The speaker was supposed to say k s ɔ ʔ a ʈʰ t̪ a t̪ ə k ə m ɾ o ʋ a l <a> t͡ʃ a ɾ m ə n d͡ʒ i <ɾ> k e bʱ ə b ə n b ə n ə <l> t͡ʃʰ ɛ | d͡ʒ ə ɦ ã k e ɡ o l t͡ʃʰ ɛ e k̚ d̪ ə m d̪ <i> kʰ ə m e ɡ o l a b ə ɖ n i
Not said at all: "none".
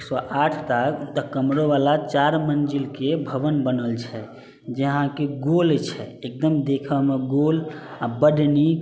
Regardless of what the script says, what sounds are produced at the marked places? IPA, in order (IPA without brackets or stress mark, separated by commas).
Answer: a, l, l, e